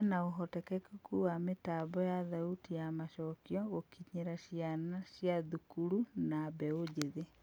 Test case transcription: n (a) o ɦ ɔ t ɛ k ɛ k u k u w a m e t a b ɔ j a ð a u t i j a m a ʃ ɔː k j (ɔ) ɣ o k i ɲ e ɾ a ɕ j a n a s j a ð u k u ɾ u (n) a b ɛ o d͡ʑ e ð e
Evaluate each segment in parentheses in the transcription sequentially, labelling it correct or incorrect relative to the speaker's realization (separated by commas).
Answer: correct, correct, correct